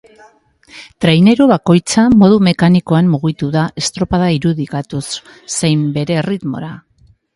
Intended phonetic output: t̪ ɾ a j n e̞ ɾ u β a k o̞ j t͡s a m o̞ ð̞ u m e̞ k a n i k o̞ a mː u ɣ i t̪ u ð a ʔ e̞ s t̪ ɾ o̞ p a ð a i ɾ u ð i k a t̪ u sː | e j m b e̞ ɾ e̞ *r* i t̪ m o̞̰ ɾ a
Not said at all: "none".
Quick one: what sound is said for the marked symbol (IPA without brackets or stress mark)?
r